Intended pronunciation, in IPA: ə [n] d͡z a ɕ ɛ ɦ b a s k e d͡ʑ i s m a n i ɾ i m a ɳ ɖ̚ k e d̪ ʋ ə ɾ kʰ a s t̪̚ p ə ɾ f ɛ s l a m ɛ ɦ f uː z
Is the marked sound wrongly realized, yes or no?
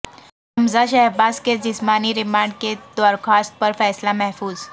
yes